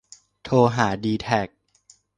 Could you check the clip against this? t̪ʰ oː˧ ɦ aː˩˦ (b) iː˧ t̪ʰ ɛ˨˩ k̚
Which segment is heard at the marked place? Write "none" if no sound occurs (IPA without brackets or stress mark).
d